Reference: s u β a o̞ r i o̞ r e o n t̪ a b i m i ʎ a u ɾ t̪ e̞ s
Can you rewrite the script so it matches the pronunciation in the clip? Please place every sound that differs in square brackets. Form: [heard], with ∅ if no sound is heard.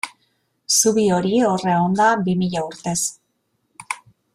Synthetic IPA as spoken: s u β [i] o̞ [ɾ] i o̞ r e o n [d̪] a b i m i ʎ a u ɾ t̪ e̞ s